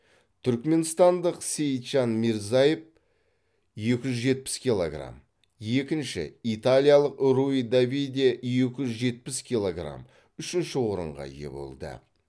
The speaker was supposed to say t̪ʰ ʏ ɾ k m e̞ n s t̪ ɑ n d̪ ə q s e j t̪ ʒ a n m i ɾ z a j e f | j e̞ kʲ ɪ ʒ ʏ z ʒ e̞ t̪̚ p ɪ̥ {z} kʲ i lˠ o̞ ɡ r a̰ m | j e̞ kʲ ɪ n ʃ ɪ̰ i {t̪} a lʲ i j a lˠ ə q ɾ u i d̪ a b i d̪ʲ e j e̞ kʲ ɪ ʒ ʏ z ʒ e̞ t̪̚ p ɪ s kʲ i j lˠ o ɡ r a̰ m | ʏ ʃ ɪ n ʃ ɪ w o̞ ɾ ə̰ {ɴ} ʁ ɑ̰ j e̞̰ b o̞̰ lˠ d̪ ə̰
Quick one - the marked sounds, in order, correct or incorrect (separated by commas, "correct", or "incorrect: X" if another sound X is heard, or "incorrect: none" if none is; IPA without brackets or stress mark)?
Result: incorrect: s, correct, correct